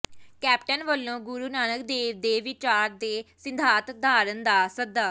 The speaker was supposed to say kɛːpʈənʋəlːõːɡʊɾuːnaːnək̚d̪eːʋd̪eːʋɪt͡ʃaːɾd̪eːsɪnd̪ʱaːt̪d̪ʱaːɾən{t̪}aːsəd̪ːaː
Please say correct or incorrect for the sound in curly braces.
incorrect